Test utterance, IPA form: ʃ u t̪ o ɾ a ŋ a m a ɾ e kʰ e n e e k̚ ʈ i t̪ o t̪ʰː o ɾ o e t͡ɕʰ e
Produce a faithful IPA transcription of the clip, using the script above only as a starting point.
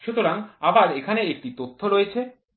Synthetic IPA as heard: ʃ u t̪ o ɾ a ŋ a b a ɾ e kʰ a n e e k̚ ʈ i t̪ o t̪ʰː o ɾ o e t͡ɕʰ e